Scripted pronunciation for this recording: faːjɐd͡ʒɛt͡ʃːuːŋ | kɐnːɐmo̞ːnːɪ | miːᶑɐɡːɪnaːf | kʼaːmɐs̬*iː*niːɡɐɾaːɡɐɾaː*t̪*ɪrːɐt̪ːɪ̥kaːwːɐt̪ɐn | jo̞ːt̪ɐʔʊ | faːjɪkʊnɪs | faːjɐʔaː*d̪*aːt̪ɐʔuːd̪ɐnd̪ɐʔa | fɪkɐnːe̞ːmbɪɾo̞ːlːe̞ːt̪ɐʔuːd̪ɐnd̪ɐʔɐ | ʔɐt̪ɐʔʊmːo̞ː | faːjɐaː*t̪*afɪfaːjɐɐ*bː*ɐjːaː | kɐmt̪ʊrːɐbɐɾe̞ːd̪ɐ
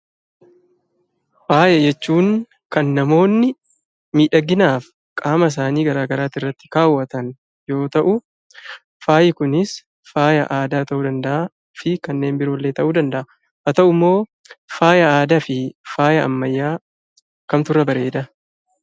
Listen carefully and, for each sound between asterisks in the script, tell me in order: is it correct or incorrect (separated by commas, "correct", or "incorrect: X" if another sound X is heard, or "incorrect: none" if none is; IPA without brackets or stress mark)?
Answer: incorrect: aː, correct, correct, incorrect: d̪, incorrect: mː